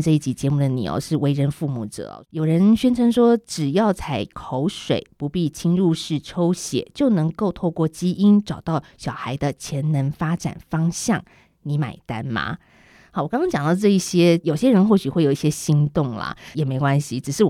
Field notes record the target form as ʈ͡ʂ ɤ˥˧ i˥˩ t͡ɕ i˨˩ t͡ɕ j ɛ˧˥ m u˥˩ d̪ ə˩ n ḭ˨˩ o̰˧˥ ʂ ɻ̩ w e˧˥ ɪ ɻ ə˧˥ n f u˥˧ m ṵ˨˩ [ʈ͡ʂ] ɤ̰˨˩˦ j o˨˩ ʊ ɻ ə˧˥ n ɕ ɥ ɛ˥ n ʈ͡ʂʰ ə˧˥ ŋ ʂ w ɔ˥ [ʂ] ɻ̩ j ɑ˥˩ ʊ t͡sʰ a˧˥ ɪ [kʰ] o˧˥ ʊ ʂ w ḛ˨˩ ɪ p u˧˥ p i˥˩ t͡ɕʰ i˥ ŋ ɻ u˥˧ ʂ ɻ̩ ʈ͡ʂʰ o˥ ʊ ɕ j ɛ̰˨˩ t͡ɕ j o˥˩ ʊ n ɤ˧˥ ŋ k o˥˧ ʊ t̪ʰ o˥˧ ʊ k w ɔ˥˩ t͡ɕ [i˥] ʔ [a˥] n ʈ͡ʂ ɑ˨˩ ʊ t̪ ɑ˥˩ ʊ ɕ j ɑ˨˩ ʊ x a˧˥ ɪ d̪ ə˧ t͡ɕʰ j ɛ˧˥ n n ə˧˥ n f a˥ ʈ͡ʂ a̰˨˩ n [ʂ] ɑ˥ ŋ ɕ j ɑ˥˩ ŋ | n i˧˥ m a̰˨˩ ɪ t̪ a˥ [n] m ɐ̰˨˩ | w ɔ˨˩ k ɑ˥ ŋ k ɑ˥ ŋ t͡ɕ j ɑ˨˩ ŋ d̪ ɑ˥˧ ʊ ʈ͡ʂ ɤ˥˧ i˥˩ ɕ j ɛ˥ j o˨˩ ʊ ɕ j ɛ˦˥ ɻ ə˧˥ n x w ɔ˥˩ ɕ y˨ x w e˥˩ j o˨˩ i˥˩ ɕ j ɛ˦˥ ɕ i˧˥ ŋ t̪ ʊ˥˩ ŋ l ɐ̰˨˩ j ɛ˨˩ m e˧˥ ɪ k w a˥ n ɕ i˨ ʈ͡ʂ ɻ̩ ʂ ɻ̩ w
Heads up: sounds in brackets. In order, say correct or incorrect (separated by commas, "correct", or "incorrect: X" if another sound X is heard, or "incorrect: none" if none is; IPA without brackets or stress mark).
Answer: correct, incorrect: ʈ͡ʂ, correct, correct, incorrect: i˥, incorrect: f, correct